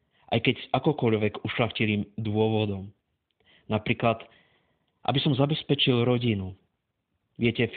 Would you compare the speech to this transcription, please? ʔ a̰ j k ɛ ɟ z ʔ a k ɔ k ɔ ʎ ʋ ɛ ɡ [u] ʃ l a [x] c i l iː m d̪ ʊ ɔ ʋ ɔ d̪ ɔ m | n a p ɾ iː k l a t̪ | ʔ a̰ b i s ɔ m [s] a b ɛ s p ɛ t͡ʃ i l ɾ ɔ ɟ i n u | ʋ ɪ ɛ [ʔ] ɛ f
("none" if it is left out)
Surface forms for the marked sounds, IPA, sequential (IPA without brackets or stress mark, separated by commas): u, x, z, c